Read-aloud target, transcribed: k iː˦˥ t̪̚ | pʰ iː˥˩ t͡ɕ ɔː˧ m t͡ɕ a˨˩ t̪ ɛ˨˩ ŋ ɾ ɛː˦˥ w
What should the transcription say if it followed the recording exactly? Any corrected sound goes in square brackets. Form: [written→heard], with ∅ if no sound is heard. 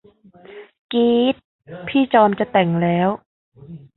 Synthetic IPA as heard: k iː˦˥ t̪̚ | pʰ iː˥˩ t͡ɕ ɔː˧ m t͡ɕ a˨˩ t̪ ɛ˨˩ ŋ [ɾ→l] ɛː˦˥ w